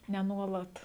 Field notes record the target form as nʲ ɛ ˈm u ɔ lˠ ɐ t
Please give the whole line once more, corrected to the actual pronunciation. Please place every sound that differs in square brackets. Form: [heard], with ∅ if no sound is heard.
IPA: nʲ ɛ [ˈn] u ɔ lˠ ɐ t

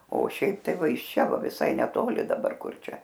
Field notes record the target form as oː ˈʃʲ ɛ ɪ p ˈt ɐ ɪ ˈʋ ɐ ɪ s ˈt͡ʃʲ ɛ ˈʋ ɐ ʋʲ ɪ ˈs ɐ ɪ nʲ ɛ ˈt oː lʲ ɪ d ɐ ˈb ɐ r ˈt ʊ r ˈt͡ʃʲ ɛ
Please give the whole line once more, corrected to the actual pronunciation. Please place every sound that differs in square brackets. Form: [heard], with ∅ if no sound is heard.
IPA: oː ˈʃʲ ɛ ɪ p ˈt ɐ ɪ ˈʋ ɐ ɪ [ʃ] ˈt͡ʃʲ ɛ ˈʋ ɐ ʋʲ ɪ ˈs ɐ ɪ nʲ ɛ ˈt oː lʲ ɪ d ɐ ˈb ɐ r [ˈk] ʊ r ˈt͡ʃʲ ɛ

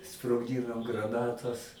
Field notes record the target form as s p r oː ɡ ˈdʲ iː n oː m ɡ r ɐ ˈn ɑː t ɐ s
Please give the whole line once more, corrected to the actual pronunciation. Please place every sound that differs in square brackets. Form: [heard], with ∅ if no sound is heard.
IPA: s p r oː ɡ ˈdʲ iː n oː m ɡ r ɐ ˈn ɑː t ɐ s

